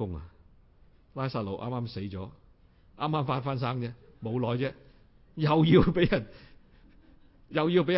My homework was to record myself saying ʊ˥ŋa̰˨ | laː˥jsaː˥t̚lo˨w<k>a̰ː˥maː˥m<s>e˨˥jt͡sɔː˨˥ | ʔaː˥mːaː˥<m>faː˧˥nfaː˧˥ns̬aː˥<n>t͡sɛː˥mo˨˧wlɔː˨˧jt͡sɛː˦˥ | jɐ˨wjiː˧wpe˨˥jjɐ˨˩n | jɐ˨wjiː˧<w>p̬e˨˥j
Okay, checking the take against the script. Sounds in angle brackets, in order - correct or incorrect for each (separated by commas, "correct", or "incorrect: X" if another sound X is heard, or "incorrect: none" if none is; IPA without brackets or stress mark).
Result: incorrect: ʔ, correct, correct, incorrect: ŋ, correct